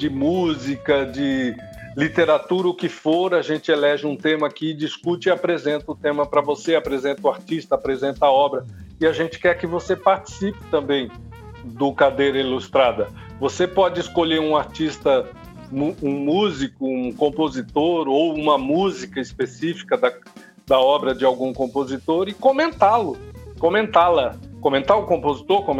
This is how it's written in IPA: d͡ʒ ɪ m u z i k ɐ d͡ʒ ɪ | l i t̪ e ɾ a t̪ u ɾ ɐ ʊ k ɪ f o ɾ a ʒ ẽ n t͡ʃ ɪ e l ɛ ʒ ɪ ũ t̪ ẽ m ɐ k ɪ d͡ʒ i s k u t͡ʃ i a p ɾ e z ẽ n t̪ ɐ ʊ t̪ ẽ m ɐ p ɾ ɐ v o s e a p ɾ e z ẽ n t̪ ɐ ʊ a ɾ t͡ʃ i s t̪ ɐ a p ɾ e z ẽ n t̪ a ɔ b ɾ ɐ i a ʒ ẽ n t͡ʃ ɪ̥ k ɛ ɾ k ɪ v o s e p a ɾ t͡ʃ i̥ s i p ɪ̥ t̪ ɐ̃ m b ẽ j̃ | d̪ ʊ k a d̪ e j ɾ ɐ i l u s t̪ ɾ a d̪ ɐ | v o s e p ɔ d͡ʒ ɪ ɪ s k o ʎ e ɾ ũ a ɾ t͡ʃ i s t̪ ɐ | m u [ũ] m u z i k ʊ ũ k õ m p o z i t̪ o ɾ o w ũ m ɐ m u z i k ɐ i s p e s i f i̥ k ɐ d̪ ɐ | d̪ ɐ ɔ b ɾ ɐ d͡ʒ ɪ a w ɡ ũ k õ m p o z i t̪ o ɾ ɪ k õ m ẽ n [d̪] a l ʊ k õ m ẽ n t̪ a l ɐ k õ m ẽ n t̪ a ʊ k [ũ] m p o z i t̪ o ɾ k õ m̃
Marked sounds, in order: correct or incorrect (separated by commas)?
correct, incorrect, incorrect